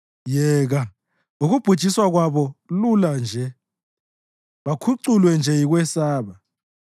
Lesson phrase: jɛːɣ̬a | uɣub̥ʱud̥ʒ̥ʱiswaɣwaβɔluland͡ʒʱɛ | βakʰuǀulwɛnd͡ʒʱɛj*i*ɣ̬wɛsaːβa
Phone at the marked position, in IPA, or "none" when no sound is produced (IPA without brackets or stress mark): i